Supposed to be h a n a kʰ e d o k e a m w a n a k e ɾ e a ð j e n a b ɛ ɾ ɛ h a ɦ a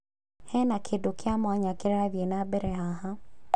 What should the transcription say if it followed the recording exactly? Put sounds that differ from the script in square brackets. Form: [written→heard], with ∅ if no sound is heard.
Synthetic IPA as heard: h [a→ɛ] n a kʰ e d o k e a m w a [n→ɲ] a k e ɾ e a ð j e n a b ɛ ɾ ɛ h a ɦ a